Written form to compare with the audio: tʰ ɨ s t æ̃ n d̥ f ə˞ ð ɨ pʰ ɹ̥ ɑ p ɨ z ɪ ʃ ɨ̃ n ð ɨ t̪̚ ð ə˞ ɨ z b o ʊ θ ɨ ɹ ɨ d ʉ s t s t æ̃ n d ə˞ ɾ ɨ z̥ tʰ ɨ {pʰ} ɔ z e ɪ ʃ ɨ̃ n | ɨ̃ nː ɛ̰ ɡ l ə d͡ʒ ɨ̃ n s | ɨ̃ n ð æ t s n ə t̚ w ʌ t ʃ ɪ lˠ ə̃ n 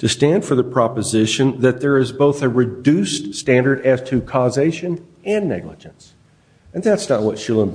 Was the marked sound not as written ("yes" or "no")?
yes